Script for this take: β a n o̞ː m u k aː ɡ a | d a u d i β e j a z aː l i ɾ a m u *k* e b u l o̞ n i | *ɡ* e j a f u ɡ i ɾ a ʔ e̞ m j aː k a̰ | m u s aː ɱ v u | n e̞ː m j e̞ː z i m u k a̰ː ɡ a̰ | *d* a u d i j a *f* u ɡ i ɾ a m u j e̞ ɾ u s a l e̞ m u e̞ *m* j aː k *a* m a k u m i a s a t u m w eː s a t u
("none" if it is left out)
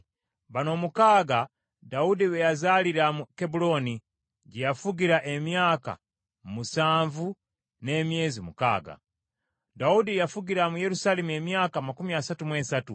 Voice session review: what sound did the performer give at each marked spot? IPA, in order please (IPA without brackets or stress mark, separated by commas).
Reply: k, ɟ, d, f, m, a